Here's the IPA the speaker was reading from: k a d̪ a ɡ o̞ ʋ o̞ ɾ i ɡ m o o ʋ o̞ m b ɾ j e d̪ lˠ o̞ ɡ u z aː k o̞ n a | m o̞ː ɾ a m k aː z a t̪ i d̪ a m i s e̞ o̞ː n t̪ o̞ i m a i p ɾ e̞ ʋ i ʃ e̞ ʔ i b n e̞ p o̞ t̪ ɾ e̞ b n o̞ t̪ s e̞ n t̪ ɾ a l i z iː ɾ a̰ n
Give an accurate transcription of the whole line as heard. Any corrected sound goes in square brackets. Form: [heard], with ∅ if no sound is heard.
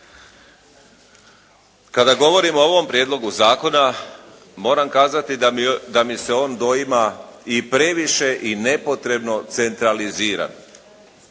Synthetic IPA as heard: k a d̪ a ɡ o̞ ʋ o̞ ɾ i [∅] m o o ʋ o̞ m [p] ɾ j e d̪ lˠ o̞ ɡ u z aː k o̞ n a | m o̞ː ɾ a m k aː z a t̪ i d̪ a m i s e̞ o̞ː n [d̪] o̞ i m a i p ɾ e̞ ʋ i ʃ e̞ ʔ i [∅] n e̞ p o̞ t̪ ɾ e̞ b n o̞ t̪ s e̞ n t̪ ɾ a l i z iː ɾ a̰ n